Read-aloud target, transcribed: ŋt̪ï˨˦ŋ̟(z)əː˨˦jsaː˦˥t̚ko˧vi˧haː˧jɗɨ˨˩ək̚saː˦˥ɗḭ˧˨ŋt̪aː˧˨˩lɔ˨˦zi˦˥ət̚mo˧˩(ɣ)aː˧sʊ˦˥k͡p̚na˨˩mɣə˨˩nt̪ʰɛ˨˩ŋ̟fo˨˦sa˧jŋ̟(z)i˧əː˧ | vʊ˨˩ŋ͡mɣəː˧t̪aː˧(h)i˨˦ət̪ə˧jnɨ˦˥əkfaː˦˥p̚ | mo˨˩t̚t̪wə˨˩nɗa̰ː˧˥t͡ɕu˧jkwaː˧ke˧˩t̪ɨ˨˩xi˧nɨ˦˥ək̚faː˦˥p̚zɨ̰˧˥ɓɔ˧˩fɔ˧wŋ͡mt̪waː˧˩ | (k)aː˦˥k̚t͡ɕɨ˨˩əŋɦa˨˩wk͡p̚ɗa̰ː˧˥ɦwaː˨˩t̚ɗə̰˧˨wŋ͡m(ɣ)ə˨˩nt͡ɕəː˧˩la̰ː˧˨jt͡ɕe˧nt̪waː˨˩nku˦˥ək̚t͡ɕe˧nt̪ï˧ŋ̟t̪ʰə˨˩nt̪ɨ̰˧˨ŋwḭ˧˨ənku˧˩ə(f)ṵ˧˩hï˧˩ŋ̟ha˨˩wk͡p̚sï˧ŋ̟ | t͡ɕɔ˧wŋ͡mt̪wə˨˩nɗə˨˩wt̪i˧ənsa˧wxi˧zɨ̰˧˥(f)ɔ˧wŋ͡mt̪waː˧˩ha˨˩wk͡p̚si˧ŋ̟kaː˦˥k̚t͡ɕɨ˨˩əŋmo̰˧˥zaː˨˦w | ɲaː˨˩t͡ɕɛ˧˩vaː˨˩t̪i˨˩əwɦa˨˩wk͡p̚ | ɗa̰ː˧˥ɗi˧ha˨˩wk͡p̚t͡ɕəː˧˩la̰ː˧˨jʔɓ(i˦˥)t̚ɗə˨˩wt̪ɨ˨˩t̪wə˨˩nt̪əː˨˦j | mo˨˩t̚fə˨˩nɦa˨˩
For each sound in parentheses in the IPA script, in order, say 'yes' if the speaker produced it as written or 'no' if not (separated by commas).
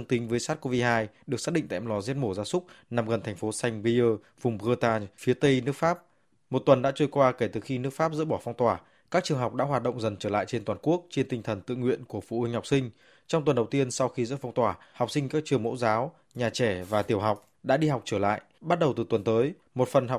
no, no, no, no, yes, no, yes, yes, no